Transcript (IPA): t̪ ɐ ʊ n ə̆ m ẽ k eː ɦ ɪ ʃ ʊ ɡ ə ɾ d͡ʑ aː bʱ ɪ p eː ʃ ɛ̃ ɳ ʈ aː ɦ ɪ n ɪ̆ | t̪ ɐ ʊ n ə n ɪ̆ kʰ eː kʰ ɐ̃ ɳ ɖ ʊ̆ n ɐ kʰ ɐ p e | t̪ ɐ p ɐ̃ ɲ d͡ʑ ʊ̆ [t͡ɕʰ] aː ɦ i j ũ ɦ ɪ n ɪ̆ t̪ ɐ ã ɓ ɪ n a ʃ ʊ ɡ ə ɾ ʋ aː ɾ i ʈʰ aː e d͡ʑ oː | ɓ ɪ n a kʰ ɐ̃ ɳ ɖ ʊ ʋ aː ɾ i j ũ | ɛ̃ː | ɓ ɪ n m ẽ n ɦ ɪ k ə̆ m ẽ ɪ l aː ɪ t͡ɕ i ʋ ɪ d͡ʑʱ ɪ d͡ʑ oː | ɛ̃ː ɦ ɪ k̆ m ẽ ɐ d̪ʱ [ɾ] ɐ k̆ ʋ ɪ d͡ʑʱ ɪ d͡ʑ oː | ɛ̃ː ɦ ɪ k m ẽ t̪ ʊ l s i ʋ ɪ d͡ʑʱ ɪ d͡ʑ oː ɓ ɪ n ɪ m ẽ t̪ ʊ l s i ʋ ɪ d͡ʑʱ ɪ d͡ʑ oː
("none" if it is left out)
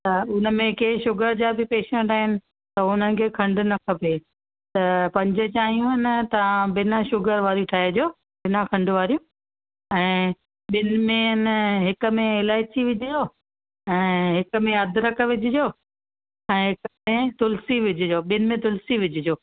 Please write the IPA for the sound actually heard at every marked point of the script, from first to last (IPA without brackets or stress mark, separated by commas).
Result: t͡ɕ, ɾ